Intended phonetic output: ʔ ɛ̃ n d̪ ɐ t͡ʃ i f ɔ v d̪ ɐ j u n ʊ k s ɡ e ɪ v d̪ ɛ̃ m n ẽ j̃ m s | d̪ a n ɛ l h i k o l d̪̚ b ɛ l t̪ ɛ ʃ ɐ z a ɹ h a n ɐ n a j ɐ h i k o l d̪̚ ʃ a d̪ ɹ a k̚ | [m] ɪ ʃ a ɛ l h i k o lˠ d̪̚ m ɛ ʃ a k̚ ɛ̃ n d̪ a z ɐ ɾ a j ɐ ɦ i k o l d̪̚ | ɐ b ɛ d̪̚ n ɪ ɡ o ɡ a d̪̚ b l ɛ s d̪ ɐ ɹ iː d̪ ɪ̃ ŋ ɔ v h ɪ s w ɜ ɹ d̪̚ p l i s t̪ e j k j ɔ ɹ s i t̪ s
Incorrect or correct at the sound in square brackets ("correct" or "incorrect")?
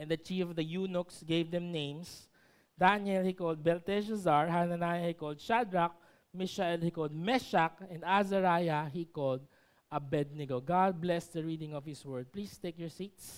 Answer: correct